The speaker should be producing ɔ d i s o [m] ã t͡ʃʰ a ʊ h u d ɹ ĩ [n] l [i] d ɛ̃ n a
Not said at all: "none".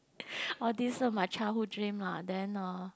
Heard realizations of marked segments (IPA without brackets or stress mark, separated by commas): m, m, a